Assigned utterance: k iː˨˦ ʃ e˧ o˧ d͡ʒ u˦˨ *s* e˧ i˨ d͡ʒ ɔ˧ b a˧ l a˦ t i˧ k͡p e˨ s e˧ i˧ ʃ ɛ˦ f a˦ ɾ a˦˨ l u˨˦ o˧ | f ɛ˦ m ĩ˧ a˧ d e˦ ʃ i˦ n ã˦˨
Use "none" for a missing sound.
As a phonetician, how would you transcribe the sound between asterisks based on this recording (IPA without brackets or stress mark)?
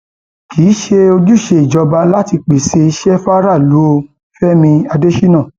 ʃ